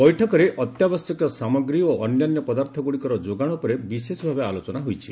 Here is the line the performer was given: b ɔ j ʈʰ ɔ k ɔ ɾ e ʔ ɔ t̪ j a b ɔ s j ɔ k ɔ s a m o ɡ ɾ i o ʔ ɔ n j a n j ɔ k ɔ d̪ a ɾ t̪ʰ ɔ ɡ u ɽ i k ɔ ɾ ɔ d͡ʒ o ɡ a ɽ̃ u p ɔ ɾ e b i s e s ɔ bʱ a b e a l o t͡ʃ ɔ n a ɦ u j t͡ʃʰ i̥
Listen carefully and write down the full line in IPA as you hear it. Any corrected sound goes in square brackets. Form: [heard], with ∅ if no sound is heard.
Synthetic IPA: b ɔ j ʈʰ ɔ k ɔ ɾ e ʔ ɔ t̪ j a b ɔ s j ɔ k ɔ s a m [ɔ] ɡ ɾ i o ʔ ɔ n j a n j ɔ [p] ɔ d̪ a ɾ t̪ʰ ɔ ɡ u ɽ i k ɔ ɾ ɔ d͡ʒ o ɡ a ɽ̃ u p ɔ ɾ e b i s e s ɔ bʱ a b e a l o t͡ʃ ɔ n a ɦ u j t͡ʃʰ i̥